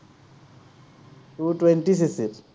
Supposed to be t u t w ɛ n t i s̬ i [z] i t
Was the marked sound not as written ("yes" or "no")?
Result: yes